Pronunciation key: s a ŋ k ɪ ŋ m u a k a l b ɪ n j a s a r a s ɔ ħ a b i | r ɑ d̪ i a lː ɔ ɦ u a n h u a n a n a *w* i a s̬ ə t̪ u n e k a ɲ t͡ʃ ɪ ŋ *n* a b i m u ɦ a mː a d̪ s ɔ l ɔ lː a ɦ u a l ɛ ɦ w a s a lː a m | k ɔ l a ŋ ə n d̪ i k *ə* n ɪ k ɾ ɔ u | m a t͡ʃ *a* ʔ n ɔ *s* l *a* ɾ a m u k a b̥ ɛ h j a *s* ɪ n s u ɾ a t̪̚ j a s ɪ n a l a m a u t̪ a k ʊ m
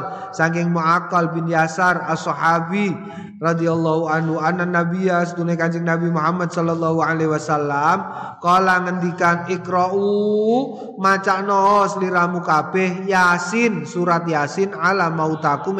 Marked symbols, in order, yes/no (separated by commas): no, yes, no, yes, yes, no, yes